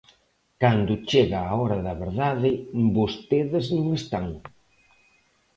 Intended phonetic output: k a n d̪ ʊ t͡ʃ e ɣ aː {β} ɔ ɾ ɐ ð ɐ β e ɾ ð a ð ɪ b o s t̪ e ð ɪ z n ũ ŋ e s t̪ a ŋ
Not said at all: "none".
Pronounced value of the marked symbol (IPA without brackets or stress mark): none